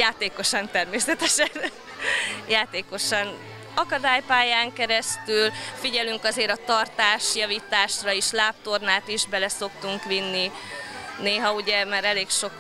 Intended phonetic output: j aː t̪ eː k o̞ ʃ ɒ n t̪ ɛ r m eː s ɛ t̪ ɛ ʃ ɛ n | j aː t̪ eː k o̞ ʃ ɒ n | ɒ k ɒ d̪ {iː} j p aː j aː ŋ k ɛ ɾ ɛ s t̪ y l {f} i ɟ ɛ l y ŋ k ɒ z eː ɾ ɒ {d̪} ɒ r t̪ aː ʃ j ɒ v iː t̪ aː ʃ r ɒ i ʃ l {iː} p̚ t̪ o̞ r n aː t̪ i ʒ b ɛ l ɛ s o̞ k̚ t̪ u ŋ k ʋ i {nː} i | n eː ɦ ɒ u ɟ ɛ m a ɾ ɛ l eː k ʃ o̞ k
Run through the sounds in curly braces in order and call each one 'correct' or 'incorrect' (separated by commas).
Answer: incorrect, correct, incorrect, incorrect, correct